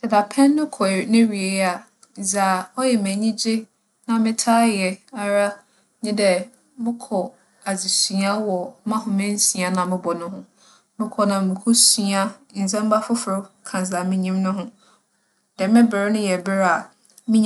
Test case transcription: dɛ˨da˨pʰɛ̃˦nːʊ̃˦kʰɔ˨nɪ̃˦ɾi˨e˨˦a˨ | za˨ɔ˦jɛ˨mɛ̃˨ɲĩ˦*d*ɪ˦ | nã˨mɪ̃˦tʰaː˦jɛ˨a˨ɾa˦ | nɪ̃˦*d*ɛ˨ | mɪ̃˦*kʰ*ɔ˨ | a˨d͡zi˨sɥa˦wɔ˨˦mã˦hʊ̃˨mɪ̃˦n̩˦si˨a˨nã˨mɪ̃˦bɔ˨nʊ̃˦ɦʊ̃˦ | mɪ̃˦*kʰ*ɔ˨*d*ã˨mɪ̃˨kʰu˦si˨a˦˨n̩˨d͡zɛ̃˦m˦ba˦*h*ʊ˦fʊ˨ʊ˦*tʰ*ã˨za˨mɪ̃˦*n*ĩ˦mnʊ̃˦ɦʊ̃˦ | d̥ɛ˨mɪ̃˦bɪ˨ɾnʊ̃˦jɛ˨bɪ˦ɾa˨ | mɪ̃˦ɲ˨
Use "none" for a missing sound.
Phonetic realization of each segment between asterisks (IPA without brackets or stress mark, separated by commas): d͡ʑ, d, kʰ, kʰ, n, f, kʰ, ɲ